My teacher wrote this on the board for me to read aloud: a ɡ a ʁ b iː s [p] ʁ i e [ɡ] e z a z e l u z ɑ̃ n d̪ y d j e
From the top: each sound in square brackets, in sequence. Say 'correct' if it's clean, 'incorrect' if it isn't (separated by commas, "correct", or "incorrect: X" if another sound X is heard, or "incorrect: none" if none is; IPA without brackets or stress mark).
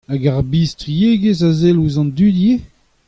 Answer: incorrect: t, correct